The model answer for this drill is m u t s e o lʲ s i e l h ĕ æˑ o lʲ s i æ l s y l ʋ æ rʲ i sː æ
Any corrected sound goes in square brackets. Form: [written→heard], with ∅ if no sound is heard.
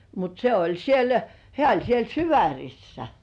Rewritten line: m u t s e o lʲ s i e l h ĕ æˑ o lʲ s i [æ→e] l s y [l→∅] ʋ æ rʲ i sː æ